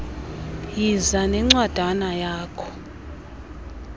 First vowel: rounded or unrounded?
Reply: unrounded